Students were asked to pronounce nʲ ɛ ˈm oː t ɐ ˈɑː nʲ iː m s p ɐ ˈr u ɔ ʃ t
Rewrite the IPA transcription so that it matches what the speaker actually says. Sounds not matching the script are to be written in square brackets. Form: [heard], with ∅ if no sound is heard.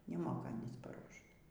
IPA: nʲ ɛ ˈm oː [k] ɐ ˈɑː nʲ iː [∅] s p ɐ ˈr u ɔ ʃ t